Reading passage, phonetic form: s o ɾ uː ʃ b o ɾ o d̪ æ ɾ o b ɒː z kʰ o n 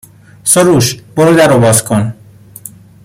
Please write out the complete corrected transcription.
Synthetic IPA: s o ɾ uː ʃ b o ɾ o d̪ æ ɾ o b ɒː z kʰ o n